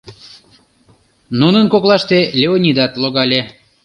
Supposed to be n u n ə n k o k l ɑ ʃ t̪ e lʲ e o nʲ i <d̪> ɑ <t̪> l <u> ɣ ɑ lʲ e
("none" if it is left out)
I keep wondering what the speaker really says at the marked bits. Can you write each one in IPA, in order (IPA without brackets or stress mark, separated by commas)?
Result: d̪, t̪, o